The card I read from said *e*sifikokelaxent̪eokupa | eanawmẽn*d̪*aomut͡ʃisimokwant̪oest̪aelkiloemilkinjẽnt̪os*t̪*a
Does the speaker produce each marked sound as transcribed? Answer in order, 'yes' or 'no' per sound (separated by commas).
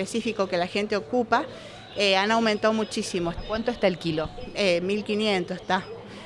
yes, no, yes